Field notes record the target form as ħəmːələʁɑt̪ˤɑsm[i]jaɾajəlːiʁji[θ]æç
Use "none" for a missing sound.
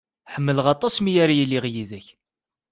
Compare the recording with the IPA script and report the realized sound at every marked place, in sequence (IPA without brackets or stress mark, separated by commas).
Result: i, ð